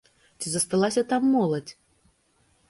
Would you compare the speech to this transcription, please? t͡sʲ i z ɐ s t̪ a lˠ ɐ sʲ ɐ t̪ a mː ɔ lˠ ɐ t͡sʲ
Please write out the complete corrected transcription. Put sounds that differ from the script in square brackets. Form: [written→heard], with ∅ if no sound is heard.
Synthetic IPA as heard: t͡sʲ i z ɐ s t̪ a lˠ [ɐ→a] sʲ ɐ t̪ a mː ɔ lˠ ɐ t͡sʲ

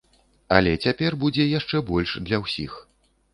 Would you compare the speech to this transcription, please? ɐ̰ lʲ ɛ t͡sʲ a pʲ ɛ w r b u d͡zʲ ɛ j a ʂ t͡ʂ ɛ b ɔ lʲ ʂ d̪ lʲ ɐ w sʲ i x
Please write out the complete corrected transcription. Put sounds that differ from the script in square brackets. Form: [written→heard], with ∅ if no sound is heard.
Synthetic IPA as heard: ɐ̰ lʲ ɛ t͡sʲ a pʲ ɛ [w→∅] r b u d͡zʲ ɛ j a ʂ t͡ʂ ɛ b ɔ lʲ ʂ d̪ lʲ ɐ w sʲ i x

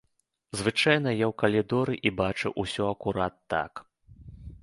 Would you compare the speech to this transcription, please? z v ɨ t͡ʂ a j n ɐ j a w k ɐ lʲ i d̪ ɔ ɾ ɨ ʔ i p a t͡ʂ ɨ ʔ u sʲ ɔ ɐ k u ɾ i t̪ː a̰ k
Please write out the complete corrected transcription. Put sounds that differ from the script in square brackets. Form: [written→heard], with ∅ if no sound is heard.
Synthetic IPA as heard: z v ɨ t͡ʂ a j n ɐ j a w k ɐ lʲ i d̪ ɔ ɾ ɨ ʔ i [p→b] a t͡ʂ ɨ ʔ u sʲ ɔ ɐ k u ɾ [i→a] t̪ː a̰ k

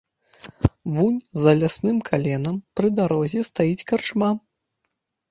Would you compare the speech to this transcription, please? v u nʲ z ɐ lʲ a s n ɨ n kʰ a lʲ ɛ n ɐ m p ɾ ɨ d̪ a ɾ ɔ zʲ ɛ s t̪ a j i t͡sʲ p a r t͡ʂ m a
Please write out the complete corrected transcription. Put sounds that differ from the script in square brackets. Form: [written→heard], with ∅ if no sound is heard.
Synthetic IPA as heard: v u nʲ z ɐ lʲ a s n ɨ [n→m] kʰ a lʲ ɛ n ɐ m p ɾ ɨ d̪ a ɾ ɔ zʲ ɛ s t̪ a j i t͡sʲ [p→k] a r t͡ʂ m a

